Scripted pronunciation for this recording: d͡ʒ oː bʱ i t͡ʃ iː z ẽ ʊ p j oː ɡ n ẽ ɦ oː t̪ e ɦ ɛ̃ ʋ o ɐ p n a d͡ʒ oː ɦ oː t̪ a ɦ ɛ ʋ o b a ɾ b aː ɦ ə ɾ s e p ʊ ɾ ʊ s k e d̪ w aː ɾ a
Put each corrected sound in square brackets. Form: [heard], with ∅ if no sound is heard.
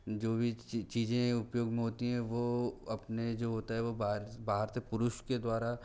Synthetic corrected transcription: d͡ʒ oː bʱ i t͡ʃ iː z ẽ ʊ p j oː ɡ [m] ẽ ɦ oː t̪ [i] ɦ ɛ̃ ʋ o ɐ p n [e] d͡ʒ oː ɦ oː t̪ a ɦ ɛ ʋ o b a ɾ b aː ɦ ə ɾ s e p ʊ ɾ ʊ [ʃ] k e d̪ w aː ɾ a